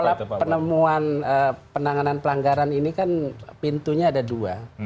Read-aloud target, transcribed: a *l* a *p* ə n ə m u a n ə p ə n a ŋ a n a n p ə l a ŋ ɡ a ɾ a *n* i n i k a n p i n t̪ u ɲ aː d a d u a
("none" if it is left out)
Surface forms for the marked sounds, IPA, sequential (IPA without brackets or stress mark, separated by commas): l, p, n